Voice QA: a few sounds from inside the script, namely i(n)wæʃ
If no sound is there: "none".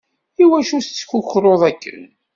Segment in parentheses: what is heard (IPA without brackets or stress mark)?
none